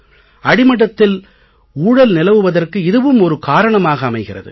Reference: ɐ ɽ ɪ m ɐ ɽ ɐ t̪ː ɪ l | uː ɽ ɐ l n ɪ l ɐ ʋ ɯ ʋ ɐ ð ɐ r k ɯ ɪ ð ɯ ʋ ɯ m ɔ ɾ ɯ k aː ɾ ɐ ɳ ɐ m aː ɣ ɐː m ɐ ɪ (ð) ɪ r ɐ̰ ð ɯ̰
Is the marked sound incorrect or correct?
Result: incorrect: ɣ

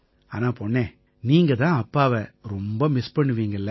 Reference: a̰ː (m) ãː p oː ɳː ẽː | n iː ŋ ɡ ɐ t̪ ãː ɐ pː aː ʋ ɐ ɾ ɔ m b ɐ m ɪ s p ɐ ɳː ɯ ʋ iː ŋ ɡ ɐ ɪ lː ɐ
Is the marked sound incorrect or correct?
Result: incorrect: n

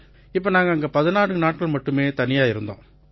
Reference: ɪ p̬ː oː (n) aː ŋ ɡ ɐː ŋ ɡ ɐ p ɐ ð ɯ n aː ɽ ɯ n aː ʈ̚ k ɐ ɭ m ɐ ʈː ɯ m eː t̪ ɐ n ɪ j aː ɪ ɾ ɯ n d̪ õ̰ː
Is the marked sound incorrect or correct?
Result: correct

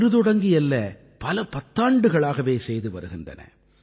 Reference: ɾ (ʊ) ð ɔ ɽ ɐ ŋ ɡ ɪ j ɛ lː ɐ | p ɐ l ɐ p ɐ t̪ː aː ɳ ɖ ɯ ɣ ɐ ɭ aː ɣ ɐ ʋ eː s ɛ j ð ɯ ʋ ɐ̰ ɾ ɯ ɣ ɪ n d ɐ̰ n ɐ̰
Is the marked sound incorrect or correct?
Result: incorrect: ɯ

